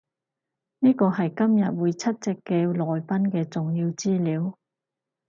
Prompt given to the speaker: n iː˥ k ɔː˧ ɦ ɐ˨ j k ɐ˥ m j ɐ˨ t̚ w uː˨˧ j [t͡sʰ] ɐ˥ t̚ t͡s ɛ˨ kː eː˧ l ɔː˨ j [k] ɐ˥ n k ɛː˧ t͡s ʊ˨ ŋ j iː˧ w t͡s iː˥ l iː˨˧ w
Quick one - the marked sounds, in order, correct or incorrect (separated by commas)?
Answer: correct, incorrect